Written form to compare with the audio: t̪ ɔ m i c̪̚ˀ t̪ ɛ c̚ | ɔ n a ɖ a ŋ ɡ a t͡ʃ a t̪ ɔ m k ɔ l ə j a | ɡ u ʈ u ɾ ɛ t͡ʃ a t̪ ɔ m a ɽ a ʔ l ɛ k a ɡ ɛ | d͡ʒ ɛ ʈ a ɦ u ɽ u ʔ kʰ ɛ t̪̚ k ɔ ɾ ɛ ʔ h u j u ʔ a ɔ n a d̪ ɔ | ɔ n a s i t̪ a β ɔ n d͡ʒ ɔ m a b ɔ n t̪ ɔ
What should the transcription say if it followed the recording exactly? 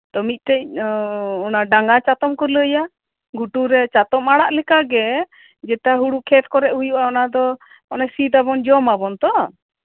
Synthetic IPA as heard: t̪ ɔ m i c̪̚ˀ t̪ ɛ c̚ | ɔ n a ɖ a ŋ ɡ a t͡ʃ a t̪ ɔ m k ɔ l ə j a | ɡ u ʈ u ɾ ɛ t͡ʃ a t̪ ɔ m a ɽ a ʔ l ɛ k a ɡ ɛ | d͡ʒ ɛ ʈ a ɦ u ɽ u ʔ kʰ ɛ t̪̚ k ɔ ɾ ɛ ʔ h u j u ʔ a ɔ n a d̪ ɔ | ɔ n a s i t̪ a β ɔ n d͡ʒ ɔ m a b ɔ n t̪ ɔ

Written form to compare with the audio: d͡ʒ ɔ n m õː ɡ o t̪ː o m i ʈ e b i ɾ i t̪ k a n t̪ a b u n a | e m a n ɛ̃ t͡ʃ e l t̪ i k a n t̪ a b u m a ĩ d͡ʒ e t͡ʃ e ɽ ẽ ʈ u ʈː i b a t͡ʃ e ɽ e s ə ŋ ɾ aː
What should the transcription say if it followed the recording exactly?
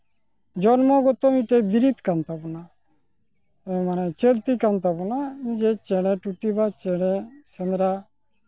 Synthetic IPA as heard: d͡ʒ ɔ n m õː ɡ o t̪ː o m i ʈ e b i ɾ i t̪ k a n t̪ a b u n a | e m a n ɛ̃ t͡ʃ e l t̪ i k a n t̪ a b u n a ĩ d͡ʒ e t͡ʃ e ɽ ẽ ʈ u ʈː i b a t͡ʃ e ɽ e s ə n ɾ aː

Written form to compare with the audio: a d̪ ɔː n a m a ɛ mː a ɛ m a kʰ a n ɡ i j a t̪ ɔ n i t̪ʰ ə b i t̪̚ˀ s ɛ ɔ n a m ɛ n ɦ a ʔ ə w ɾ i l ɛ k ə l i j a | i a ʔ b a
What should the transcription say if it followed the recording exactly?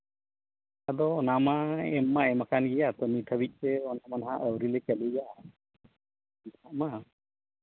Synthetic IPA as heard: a d̪ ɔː n a m a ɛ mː a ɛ m a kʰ a n ɡ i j a t̪ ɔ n i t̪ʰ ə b i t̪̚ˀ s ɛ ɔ n a m a n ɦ a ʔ ə w ɾ i l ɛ k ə l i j a | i a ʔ m a

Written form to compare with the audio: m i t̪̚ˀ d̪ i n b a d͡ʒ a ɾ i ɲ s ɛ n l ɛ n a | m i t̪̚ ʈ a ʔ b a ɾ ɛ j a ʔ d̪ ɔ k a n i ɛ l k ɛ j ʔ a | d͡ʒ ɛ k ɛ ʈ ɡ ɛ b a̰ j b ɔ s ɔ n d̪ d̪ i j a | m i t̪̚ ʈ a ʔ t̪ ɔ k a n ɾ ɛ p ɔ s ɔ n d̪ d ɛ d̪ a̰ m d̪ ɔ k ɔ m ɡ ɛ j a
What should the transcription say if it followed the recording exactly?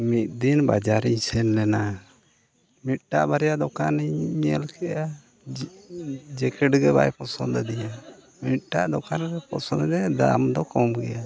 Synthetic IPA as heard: m i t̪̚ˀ d̪ i n b a d͡ʒ a ɾ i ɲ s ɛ n l ɛ n a | m i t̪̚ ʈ a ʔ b a ɾ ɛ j a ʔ d̪ ɔ k a n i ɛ l k ɛ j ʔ a | d͡ʒ ɛ k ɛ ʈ ɡ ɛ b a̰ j p ɔ s ɔ n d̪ d̪ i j a | m i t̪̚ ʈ a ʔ d̪ ɔ k a n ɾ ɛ p ɔ s ɔ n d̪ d ɛ d̪ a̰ m d̪ ɔ k ɔ m ɡ ɛ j a

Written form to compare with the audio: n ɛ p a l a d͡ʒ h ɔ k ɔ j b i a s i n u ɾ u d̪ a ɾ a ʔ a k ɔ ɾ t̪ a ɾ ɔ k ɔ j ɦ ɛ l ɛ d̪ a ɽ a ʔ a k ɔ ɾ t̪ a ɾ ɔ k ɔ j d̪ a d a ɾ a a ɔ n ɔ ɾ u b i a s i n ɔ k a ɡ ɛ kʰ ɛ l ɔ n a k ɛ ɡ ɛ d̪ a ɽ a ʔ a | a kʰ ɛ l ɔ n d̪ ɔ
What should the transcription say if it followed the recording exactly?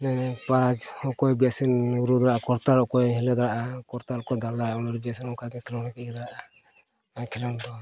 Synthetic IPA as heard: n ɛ p a ɾ a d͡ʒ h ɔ k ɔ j b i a s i n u ɾ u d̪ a ɾ a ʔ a k ɔ ɾ t̪ a ɾ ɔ k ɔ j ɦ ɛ l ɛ d̪ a ɾ a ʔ a k ɔ ɾ t̪ a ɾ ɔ k ɔ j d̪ a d a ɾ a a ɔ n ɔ ɾ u b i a s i n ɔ k a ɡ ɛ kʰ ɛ l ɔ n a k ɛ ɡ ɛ d̪ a ɾ a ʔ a | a kʰ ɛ l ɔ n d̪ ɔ

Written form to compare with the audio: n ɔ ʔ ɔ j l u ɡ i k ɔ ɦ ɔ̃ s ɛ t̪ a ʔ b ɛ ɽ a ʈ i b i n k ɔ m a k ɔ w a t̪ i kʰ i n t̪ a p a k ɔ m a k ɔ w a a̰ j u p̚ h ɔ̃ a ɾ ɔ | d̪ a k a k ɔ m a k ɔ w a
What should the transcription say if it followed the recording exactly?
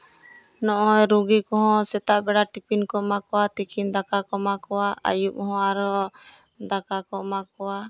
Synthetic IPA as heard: n ɔ ʔ ɔ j ɾ u ɡ i k ɔ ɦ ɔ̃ s ɛ t̪ a ʔ b ɛ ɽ a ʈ i p i n k ɔ m a k ɔ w a t̪ i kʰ i n d̪ a k a k ɔ m a k ɔ w a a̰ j u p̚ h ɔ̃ a ɾ ɔ | d̪ a k a k ɔ m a k ɔ w a

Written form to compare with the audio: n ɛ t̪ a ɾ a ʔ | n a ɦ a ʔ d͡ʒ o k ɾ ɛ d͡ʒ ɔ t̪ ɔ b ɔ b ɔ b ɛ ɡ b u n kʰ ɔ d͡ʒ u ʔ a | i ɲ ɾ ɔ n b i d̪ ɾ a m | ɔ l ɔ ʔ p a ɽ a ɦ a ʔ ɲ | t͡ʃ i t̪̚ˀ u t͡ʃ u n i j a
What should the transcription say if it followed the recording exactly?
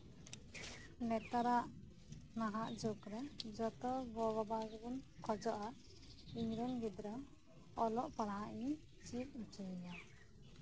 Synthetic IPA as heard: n ɛ t̪ a ɾ a ʔ | n a ɦ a ʔ d͡ʒ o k ɾ ɛ d͡ʒ ɔ t̪ ɔ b ɔ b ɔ b a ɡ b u n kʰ ɔ d͡ʒ ɔ ʔ a | i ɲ ɾ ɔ n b i d̪ ɾ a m | ɔ l ɔ ʔ p a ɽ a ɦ a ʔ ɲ | t͡ʃ i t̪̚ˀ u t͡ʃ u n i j a

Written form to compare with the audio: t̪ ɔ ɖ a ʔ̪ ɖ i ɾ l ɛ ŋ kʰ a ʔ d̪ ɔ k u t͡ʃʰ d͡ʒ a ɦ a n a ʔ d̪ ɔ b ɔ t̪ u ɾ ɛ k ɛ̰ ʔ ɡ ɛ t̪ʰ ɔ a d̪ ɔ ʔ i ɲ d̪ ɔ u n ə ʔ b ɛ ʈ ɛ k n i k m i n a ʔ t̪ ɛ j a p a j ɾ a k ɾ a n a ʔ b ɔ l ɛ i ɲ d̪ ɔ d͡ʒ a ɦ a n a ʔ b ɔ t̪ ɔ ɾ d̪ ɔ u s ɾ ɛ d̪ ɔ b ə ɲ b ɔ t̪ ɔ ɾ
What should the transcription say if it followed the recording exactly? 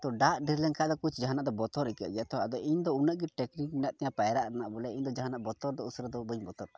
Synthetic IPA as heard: t̪ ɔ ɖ a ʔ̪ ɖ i ɾ l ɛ ŋ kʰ a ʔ d̪ ɔ k u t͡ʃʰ d͡ʒ a ɦ a n a ʔ d̪ ɔ b ɔ t̪ ɔ ɾ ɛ k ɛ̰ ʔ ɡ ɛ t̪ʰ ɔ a d̪ ɔ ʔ i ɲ d̪ ɔ u n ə ʔ ɡ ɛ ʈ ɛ k n i k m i n a ʔ t̪ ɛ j a p a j ɾ a ʔ ɾ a n a ʔ b ɔ l ɛ i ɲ d̪ ɔ d͡ʒ a ɦ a n a ʔ b ɔ t̪ ɔ ɾ d̪ ɔ u s ɾ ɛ d̪ ɔ b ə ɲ b ɔ t̪ ɔ ɾ

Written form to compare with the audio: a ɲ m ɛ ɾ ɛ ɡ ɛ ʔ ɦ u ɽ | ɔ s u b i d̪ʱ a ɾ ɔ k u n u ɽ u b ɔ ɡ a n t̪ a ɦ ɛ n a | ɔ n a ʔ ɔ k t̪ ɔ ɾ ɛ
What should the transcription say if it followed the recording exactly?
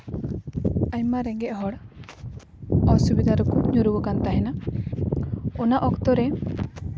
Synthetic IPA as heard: a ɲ m a ɾ ɛ ɡ ɛ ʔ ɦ ɔ ɽ | ɔ s u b i d̪ʱ a ɾ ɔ k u ɲ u ɾ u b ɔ k a n t̪ a ɦ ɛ n a | ɔ n a ʔ ɔ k t̪ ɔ ɾ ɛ

